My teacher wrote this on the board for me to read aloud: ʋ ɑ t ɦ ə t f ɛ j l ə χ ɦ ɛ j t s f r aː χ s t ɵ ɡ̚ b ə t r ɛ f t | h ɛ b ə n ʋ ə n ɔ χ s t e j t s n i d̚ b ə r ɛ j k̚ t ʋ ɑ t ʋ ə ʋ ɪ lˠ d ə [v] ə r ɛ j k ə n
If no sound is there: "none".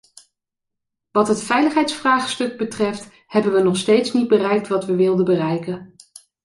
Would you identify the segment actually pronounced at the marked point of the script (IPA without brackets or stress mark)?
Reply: b